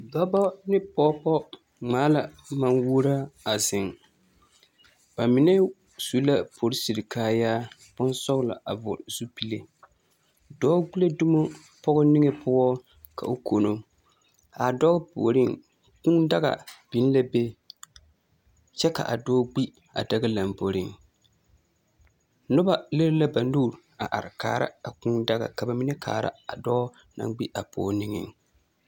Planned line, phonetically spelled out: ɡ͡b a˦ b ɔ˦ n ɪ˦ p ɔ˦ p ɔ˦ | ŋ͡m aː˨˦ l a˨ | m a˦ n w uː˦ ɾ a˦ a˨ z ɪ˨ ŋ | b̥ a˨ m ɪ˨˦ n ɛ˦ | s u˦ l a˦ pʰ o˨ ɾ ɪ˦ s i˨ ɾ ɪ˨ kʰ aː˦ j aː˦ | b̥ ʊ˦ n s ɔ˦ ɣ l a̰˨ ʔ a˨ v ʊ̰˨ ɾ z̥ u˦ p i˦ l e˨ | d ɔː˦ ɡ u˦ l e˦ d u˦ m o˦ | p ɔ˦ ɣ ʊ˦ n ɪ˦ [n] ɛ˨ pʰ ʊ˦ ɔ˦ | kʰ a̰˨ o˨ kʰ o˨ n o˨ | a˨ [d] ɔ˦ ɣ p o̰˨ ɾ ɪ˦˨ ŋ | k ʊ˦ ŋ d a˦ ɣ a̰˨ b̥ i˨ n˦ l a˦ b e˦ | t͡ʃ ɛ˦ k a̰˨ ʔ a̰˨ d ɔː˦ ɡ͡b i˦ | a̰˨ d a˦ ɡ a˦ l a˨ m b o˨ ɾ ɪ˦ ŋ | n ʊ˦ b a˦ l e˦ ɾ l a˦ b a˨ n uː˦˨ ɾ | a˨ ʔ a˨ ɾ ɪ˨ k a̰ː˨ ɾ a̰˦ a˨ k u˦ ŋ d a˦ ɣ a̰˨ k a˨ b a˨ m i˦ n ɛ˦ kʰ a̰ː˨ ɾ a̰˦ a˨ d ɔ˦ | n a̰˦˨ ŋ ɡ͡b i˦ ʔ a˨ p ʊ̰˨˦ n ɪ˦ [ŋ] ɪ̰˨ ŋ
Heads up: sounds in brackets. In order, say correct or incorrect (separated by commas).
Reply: incorrect, correct, correct